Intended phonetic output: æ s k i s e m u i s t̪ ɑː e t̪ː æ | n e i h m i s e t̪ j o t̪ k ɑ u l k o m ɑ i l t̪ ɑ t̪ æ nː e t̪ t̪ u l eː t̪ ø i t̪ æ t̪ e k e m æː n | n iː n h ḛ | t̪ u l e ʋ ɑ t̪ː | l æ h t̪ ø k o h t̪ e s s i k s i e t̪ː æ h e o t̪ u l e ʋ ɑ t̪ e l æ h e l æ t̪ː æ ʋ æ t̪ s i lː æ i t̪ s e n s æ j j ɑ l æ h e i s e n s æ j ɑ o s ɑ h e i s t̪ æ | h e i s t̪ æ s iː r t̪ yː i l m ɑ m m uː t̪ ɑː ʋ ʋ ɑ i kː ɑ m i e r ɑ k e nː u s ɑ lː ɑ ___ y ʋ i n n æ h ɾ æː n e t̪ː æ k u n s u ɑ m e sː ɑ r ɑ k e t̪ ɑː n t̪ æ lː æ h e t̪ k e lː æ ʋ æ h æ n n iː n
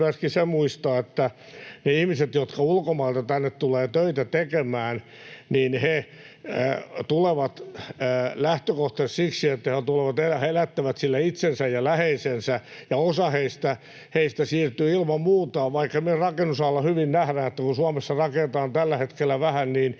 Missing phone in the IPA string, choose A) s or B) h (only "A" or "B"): B